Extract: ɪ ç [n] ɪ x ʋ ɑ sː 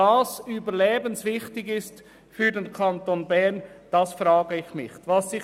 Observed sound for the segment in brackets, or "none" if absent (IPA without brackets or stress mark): m